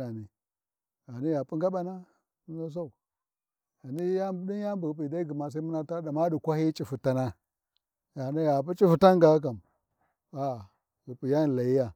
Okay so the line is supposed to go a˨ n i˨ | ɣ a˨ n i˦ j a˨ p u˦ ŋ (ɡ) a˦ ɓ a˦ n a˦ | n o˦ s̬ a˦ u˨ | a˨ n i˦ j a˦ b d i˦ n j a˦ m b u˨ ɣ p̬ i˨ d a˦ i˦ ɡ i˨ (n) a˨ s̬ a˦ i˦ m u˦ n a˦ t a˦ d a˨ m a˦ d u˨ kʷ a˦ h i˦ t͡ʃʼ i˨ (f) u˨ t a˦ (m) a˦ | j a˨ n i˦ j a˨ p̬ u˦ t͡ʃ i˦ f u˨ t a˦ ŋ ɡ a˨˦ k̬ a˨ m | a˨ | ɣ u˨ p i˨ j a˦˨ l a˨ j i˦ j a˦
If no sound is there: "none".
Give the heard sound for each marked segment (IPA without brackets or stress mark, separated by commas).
ɡ, m, f, n